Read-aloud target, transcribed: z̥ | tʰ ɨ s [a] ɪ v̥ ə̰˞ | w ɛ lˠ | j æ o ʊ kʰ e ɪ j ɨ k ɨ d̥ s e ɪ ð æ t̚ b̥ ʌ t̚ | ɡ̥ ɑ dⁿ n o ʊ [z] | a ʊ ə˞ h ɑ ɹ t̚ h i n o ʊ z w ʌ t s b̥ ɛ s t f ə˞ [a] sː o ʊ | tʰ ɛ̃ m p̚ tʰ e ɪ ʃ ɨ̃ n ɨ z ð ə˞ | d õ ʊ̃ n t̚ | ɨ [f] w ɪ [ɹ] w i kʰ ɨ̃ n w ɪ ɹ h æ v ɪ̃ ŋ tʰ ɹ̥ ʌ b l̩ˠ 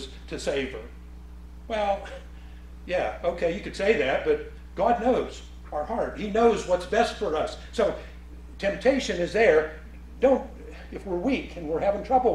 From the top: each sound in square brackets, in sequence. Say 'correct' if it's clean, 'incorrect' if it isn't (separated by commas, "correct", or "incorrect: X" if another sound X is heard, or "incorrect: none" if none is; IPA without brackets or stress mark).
incorrect: e, correct, incorrect: ʌ, correct, correct